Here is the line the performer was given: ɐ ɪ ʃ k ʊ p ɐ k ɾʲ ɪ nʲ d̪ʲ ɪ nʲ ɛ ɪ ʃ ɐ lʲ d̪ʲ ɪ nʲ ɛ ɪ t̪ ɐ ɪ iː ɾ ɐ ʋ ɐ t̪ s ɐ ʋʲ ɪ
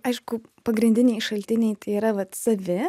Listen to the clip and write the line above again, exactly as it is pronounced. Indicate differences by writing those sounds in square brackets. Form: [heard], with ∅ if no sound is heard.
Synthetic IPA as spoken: ɐ ɪ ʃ k ʊ p ɐ [ɡ] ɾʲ ɪ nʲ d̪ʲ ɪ nʲ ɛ ɪ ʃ ɐ lʲ [t̪ʲ] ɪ nʲ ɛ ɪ t̪ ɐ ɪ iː ɾ ɐ ʋ ɐ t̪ s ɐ ʋʲ ɪ